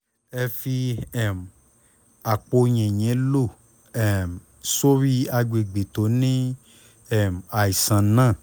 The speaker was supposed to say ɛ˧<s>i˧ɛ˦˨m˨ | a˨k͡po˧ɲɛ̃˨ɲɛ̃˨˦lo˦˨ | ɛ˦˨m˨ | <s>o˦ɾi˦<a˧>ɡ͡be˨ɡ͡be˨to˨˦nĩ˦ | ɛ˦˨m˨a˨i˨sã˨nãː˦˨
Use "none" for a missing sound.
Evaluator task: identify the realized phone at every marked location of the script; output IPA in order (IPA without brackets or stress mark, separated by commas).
f, s, a˧